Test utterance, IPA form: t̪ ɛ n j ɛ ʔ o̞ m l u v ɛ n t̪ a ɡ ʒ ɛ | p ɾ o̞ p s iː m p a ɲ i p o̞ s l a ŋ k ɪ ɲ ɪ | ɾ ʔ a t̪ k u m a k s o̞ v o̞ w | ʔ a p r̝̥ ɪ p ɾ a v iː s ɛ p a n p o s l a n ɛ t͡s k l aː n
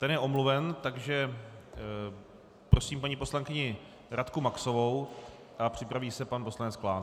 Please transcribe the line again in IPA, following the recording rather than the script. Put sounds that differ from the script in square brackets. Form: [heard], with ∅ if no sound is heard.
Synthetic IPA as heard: t̪ ɛ n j ɛ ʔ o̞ m l u v ɛ n t̪ a ɡ ʒ ɛ | p ɾ o̞ [∅] s iː m p a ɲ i p o̞ s l a ŋ k ɪ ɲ ɪ | ɾ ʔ a t̪ k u m a k s o̞ v o̞ w | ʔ a p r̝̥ ɪ p ɾ a v iː s ɛ p a n p o s l a n ɛ t͡s k l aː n